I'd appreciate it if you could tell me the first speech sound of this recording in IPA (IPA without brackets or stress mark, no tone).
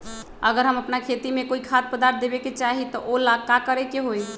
ə